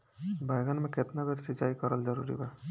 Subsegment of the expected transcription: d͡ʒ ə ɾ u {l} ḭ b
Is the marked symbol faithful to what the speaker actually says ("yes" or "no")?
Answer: no